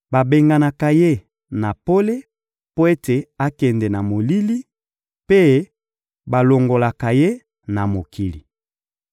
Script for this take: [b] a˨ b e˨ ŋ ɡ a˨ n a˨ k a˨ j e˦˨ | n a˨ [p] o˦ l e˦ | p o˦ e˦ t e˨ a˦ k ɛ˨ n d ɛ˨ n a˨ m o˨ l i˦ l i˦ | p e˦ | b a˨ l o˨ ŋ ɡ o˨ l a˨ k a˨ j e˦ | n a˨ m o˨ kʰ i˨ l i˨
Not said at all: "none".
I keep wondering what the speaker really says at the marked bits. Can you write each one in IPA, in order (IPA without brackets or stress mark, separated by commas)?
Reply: b, p